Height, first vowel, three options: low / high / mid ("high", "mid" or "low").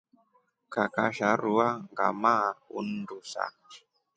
low